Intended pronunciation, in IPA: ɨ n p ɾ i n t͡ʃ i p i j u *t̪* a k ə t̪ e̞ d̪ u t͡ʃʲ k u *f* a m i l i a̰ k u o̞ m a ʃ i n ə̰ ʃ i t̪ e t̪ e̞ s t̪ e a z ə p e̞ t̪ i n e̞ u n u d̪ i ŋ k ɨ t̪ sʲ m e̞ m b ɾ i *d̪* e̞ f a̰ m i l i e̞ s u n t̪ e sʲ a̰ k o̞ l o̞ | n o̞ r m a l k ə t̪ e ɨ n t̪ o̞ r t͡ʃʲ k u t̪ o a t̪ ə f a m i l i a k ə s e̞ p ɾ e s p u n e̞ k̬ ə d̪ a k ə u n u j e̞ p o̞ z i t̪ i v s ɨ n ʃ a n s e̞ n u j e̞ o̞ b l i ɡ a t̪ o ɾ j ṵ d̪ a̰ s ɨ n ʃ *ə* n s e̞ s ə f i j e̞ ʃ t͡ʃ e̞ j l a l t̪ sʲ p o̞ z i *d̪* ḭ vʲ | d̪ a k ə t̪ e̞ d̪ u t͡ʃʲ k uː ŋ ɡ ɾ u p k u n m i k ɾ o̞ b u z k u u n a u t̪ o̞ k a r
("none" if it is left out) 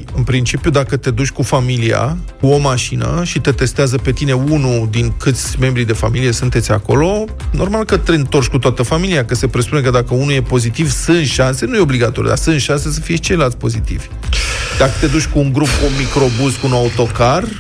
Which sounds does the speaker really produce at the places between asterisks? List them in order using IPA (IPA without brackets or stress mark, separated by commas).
d̪, f, d̪, a, t̪